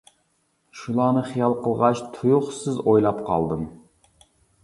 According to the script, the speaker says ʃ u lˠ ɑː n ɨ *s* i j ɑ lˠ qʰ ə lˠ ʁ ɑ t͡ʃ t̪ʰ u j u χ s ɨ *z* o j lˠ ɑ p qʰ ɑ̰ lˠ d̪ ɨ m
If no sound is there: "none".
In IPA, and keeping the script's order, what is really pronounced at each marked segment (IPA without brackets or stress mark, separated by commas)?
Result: χ, z